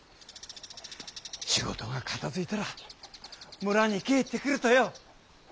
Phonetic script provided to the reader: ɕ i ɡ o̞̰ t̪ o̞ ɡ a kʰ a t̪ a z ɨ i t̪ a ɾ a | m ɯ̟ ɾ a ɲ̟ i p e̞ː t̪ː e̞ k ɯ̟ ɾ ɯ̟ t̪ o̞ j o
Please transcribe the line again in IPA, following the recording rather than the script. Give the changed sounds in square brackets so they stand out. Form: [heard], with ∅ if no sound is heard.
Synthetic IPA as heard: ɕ i ɡ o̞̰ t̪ o̞ ɡ a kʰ a t̪ a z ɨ i t̪ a ɾ a | m ɯ̟ ɾ a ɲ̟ i [k] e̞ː t̪ː e̞ k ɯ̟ ɾ ɯ̟ t̪ o̞ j o